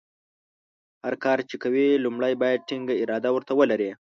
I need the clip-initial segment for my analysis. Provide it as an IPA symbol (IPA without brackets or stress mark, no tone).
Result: h